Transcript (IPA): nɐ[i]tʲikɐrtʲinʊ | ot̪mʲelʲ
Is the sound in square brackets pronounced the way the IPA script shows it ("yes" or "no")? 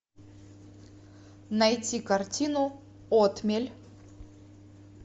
no